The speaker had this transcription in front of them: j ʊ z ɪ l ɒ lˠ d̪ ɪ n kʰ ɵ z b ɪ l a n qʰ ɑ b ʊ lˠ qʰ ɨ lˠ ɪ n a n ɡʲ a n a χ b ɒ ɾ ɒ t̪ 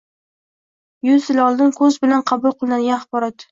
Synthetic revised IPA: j ʊ z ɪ l ɒ lˠ d̪ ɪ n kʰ ɵ z b ɪ l a n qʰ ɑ b ʊ lˠ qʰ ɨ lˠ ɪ n a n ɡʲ a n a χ b ɒ ɾ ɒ t̪